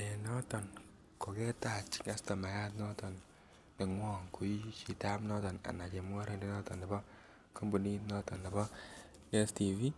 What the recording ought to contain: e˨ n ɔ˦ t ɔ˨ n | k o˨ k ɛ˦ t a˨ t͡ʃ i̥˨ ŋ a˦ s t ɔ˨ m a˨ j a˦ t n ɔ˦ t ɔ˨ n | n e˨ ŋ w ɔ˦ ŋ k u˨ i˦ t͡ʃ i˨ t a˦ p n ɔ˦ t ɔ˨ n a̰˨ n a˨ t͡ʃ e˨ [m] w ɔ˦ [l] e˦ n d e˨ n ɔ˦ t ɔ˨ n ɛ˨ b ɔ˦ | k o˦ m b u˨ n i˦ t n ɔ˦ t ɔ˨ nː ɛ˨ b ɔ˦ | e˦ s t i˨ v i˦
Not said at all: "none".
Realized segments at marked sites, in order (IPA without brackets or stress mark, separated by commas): m, ɾ